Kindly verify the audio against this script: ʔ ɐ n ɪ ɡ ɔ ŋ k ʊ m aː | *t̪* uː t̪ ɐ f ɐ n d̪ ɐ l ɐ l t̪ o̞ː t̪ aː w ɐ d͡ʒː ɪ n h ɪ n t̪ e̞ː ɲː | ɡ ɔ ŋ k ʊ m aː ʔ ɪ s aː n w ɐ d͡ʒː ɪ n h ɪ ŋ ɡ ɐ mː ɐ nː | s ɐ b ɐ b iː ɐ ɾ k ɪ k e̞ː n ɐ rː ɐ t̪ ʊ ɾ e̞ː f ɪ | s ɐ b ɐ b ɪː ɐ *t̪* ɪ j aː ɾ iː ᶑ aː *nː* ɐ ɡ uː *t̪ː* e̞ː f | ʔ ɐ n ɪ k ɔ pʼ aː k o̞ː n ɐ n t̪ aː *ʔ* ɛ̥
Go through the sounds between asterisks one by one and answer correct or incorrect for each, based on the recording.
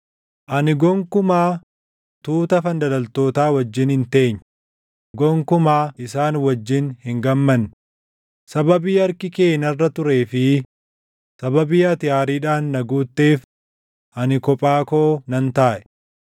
correct, correct, correct, correct, correct

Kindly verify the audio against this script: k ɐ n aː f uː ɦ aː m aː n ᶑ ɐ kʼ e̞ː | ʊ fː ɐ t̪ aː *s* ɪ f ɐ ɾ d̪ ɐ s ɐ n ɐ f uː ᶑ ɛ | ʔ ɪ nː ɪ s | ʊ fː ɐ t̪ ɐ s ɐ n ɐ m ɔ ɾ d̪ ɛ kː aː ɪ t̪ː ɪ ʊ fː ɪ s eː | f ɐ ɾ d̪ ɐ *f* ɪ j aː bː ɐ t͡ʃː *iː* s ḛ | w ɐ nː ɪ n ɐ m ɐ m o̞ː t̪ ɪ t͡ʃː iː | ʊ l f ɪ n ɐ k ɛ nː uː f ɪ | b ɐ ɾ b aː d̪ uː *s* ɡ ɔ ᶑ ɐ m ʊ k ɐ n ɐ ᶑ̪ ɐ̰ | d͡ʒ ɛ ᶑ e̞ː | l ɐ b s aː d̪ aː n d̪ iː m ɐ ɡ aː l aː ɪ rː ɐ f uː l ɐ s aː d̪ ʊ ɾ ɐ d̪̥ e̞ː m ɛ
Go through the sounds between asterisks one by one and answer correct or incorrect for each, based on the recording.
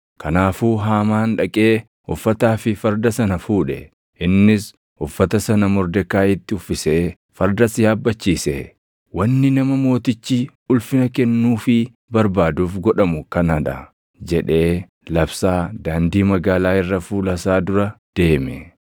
incorrect, incorrect, correct, incorrect

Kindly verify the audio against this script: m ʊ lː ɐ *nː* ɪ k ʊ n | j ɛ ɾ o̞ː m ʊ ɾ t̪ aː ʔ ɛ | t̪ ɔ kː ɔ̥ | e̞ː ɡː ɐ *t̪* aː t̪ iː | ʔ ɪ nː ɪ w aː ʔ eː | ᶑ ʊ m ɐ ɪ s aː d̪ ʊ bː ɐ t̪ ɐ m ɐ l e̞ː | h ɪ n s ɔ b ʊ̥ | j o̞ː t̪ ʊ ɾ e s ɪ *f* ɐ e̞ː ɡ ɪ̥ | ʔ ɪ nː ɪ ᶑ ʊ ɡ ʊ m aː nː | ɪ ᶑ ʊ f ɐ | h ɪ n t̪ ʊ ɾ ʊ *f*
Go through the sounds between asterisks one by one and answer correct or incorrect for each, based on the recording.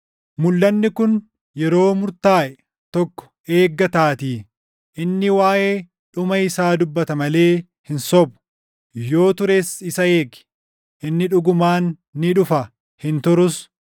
correct, correct, incorrect, incorrect

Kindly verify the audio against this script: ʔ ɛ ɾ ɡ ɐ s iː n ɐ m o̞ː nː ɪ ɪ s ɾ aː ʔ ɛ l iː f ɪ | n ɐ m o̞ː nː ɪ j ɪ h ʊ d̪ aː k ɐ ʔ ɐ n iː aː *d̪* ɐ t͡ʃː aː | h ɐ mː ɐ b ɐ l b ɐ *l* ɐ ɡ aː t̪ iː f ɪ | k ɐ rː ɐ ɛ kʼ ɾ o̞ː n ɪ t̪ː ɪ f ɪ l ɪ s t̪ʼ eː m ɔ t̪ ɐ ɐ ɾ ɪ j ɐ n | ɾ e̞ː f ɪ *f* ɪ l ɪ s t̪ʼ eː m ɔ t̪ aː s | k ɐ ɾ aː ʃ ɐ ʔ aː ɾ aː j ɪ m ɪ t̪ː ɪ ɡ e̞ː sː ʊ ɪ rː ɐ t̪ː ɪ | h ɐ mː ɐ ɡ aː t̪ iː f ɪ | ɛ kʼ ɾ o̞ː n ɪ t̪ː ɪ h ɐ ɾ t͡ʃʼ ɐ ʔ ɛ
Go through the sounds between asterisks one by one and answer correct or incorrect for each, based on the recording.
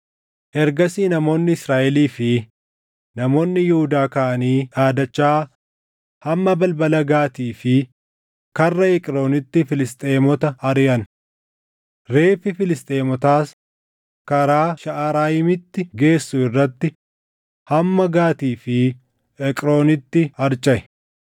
correct, correct, correct

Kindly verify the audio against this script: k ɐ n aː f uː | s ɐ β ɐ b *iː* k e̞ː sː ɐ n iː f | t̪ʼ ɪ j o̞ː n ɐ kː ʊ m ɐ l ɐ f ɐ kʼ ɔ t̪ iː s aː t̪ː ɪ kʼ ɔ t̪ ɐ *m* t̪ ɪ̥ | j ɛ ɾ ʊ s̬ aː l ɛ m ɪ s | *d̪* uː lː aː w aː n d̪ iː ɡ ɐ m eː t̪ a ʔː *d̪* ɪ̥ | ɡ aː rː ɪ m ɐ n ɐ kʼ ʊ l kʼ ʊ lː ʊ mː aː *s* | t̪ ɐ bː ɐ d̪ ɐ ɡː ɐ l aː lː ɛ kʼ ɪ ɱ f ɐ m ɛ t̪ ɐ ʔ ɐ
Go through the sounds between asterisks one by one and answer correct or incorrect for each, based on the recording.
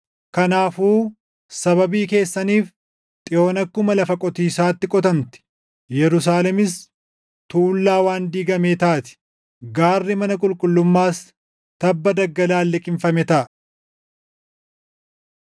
correct, incorrect, incorrect, incorrect, correct

